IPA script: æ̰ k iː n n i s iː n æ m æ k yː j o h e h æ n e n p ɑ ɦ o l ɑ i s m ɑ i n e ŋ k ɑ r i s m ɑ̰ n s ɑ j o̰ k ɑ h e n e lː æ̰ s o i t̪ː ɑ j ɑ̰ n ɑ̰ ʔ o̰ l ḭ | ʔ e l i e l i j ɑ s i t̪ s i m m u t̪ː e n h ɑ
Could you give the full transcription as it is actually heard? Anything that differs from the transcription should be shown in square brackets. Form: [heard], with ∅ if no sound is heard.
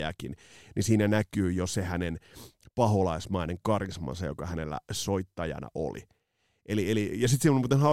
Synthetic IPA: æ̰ k [i] n n i s iː n æ [n] æ k yː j o [s] e h æ n e n p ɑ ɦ o l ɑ i s m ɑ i n e ŋ k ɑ r i s m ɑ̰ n s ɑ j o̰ k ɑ h [æ] n e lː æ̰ s o i t̪ː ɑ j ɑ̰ n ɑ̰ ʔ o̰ l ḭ | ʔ e l i e l i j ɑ s i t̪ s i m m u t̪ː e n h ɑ